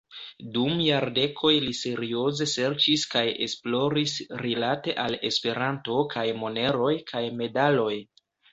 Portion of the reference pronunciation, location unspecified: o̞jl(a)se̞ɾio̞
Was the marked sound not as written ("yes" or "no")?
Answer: yes